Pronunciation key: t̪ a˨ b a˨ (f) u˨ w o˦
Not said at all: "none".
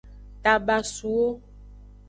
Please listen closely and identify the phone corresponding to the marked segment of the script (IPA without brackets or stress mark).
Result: s